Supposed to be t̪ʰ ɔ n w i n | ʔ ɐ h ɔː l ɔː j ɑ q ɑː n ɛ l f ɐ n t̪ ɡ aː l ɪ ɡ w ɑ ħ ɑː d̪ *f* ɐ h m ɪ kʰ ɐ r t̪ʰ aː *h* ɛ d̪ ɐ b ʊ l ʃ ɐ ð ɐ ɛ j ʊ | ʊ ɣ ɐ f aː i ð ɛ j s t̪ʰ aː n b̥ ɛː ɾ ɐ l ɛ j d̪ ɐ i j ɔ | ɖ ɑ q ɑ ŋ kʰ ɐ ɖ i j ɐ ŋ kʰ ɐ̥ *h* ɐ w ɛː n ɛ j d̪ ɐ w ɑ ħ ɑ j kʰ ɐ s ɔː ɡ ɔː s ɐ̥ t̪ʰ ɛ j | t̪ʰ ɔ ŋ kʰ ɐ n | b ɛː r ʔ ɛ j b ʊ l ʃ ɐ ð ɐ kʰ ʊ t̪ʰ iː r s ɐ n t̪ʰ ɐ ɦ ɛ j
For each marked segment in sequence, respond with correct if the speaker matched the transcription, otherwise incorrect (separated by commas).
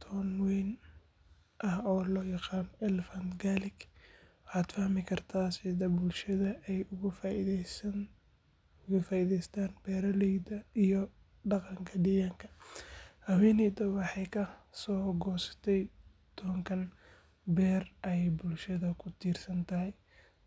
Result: correct, incorrect, correct